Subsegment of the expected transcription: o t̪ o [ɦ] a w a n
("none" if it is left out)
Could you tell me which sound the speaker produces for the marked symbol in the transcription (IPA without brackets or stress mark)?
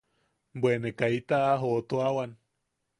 none